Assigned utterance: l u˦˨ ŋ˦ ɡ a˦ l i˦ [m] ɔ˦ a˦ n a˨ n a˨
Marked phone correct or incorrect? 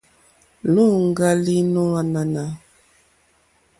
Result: incorrect